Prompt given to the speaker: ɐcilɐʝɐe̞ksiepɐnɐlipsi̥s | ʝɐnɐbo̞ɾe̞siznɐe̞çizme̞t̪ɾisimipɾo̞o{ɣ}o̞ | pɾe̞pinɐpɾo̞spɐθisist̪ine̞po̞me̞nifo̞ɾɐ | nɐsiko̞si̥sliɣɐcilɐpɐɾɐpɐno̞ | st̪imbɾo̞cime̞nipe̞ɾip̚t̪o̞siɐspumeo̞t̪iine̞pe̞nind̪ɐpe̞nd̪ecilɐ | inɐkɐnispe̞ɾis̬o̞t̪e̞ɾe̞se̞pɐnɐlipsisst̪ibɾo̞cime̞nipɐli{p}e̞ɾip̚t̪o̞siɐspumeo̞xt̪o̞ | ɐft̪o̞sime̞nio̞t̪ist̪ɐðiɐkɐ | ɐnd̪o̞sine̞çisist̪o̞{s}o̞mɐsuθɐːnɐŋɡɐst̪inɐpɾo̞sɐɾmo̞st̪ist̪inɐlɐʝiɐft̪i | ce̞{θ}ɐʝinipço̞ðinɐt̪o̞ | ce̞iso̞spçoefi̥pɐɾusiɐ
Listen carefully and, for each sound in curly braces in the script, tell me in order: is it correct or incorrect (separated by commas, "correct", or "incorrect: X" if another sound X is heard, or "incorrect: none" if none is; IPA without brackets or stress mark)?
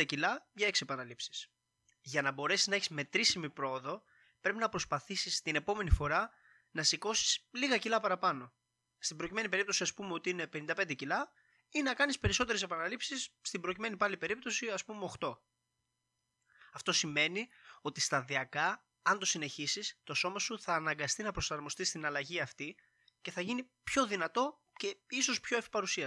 incorrect: ð, correct, correct, correct